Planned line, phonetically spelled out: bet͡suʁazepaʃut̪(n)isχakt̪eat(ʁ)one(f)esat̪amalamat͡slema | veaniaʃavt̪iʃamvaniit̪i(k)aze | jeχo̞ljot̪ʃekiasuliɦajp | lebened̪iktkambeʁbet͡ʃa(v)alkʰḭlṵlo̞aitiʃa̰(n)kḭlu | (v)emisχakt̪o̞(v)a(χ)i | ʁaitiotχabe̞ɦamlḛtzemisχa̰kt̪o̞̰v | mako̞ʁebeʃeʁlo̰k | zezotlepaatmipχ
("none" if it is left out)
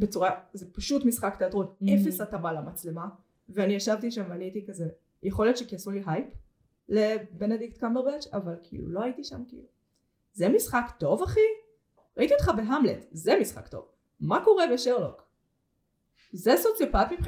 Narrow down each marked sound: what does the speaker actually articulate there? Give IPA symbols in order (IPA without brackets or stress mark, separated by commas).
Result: m, ʁ, f, k, v, m, z, v, χ